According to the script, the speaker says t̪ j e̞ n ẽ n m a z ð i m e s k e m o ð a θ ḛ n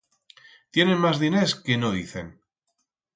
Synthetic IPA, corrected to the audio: t̪ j e̞ n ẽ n m a z ð i n e s k e n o ð i θ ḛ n